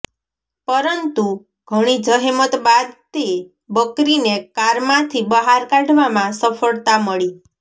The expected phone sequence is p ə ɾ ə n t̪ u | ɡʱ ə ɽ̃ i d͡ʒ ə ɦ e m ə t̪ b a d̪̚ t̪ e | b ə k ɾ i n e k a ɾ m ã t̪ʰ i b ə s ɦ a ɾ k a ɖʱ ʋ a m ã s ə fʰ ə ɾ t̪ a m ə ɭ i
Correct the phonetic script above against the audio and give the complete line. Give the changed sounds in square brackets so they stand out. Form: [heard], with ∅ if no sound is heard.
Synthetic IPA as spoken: p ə ɾ ə n t̪ u | ɡʱ ə ɽ̃ i d͡ʒ ə ɦ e m ə t̪ b a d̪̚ t̪ e | b ə k ɾ i n e k a ɾ m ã t̪ʰ i b ə [∅] ɦ a ɾ k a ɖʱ ʋ a m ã s ə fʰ ə [ɭ] t̪ a m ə ɭ i